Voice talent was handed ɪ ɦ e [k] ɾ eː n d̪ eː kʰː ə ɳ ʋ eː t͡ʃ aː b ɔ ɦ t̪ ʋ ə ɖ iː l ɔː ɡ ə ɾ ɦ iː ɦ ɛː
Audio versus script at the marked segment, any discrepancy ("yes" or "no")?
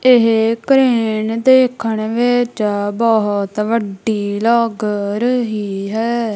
no